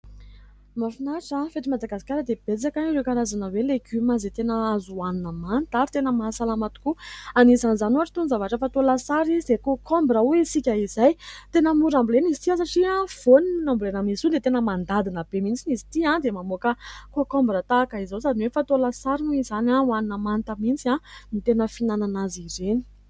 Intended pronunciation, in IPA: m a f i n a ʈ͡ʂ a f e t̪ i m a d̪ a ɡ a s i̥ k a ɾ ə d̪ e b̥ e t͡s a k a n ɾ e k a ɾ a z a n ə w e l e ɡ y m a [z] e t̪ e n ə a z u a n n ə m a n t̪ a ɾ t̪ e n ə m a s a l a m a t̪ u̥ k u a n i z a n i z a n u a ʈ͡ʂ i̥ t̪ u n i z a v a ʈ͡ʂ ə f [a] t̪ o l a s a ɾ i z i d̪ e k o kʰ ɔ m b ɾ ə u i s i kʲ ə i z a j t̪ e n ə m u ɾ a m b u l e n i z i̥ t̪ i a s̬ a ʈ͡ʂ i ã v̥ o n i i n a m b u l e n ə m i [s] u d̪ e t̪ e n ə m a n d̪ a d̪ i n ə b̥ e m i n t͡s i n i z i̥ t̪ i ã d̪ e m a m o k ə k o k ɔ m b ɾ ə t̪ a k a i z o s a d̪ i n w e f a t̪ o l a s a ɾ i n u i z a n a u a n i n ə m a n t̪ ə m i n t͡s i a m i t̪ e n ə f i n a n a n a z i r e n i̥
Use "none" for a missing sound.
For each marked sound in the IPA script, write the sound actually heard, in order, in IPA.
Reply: z, a, s

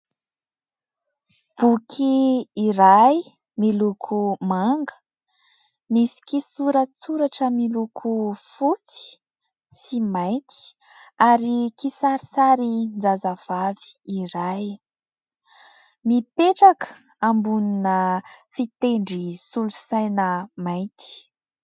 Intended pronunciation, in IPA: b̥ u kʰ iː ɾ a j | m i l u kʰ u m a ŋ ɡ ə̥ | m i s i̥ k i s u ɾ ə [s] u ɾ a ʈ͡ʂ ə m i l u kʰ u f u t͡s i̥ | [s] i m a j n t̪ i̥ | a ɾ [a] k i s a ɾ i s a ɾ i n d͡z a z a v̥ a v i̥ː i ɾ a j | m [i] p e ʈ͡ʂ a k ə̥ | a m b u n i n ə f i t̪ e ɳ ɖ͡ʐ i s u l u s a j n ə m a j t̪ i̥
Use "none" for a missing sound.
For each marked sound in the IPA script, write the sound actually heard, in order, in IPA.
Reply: t͡s, s, i, i

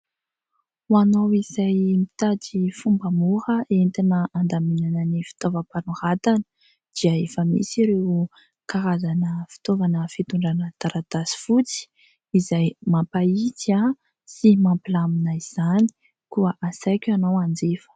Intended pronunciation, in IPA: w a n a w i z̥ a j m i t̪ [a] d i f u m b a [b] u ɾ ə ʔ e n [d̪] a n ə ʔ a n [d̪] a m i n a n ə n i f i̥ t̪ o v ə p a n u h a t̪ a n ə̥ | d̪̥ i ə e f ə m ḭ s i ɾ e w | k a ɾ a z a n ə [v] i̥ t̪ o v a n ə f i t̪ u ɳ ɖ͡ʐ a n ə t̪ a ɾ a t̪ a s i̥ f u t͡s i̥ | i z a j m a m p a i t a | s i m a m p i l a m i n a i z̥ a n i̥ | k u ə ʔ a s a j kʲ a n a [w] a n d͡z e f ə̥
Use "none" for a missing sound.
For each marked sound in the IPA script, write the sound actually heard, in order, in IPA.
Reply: a, m, t̪, d̪, f, w

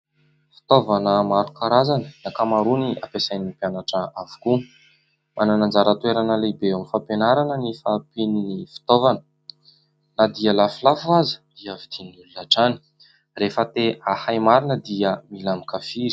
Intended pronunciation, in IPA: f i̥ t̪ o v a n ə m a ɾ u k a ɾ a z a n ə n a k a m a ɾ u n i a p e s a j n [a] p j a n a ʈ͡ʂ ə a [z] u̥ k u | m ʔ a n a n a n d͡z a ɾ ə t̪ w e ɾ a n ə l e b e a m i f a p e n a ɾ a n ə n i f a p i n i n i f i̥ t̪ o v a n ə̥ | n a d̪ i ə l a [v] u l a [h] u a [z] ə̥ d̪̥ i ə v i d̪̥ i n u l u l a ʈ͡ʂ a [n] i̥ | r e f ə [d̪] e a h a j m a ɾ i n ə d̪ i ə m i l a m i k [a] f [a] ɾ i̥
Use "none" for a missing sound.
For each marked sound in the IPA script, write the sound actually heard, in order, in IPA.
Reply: i, v, f, f, z, n, t̪, a, i

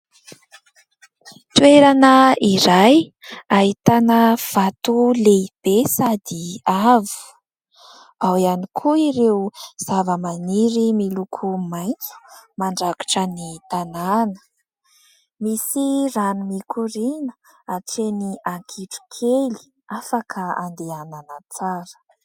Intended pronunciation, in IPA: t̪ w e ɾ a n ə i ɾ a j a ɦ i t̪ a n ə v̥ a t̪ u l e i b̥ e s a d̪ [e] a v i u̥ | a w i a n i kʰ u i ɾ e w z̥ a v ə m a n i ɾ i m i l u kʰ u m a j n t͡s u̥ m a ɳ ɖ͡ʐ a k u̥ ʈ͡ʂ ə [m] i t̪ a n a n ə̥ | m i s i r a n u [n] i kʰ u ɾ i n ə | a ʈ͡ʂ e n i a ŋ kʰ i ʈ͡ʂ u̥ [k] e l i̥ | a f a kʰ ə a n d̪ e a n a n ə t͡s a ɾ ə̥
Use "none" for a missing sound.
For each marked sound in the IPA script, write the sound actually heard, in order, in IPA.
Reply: i, n, m, kʰ

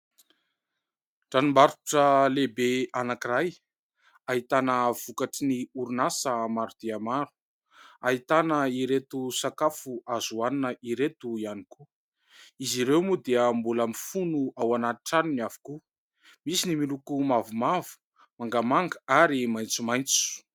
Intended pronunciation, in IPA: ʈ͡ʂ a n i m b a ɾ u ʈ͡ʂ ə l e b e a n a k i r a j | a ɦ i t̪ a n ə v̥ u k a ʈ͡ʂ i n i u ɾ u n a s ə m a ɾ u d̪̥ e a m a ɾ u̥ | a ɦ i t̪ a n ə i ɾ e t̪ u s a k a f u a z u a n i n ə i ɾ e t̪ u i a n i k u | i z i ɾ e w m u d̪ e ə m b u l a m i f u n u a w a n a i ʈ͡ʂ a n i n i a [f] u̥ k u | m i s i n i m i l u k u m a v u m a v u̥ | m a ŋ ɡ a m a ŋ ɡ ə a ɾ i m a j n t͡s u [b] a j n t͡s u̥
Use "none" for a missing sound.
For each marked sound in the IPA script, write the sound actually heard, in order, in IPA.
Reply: v, m

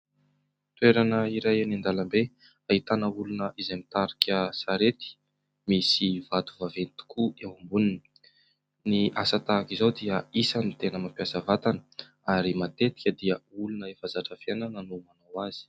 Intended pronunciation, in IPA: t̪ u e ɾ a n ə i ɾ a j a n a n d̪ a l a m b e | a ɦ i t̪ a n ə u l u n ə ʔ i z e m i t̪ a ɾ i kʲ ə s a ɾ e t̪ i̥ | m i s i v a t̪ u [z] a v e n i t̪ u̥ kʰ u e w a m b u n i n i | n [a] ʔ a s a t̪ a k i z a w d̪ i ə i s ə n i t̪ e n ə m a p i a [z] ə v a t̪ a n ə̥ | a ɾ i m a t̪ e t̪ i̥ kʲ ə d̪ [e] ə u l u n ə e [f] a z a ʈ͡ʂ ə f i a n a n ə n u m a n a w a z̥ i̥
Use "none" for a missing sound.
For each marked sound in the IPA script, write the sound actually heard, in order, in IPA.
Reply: v, i, s, i, f

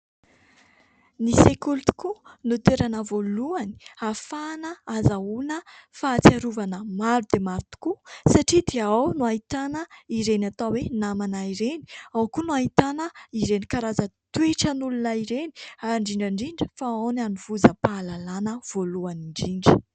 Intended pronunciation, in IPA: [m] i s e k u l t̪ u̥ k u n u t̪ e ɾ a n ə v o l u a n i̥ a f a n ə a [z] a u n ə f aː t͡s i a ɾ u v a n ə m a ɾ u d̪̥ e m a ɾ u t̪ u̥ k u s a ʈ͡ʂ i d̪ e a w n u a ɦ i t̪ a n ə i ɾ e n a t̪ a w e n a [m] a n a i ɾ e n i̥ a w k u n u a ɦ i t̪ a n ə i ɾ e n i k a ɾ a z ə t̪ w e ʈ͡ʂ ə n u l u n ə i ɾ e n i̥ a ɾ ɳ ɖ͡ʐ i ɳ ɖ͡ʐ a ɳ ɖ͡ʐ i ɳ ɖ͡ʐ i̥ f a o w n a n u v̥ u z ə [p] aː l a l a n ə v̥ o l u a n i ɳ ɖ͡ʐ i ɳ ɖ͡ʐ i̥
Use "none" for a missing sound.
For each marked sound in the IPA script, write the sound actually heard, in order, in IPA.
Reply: n, z, m, p

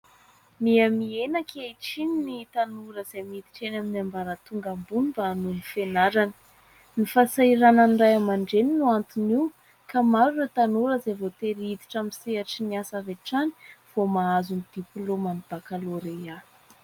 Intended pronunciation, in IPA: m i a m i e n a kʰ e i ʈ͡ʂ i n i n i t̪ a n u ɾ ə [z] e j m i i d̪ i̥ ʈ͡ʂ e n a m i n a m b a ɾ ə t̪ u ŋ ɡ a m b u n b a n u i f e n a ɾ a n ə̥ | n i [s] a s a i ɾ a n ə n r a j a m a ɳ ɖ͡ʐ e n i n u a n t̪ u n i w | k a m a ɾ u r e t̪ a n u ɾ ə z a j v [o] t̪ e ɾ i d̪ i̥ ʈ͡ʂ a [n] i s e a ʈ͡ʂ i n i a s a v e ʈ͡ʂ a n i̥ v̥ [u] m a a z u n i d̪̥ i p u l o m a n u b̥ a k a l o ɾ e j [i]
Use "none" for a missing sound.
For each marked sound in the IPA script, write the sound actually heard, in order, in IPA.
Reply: z, f, o, m, o, a

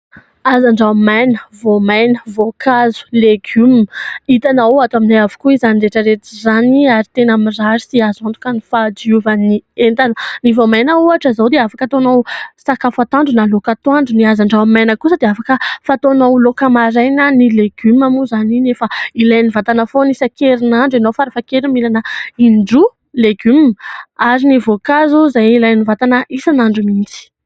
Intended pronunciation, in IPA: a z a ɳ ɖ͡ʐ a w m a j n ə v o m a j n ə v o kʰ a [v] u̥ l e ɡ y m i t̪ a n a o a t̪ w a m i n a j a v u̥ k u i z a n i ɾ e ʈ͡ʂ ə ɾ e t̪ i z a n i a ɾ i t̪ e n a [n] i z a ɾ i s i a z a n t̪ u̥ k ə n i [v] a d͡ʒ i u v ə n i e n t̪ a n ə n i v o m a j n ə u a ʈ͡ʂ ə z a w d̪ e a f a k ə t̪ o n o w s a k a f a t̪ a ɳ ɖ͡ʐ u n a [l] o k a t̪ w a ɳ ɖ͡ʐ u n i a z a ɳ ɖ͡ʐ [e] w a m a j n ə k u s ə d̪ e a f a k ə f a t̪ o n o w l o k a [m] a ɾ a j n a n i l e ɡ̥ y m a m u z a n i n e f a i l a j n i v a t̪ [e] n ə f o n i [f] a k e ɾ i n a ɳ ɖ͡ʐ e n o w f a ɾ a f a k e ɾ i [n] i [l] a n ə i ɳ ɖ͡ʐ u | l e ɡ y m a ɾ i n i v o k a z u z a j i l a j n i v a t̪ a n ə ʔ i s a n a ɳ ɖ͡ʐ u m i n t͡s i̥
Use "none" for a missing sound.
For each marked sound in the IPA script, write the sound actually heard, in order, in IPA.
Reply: z, m, f, l, a, m, a, s, m, l

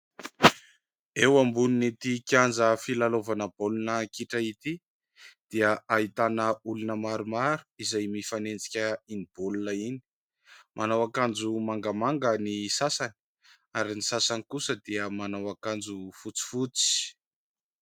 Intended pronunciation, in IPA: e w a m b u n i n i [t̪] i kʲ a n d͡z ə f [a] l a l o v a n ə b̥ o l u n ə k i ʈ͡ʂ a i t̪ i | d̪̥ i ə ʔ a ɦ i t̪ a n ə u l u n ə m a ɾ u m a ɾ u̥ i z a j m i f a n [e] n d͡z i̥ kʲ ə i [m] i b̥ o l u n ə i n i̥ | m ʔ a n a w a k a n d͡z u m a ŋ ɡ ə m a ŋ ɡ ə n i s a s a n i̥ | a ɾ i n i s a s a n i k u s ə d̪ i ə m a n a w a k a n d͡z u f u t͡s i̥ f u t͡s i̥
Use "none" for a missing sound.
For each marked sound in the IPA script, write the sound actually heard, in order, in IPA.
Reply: t̪, i, e, n

